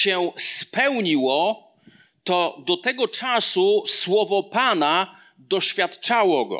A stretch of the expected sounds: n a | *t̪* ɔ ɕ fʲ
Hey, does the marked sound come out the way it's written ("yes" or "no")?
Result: no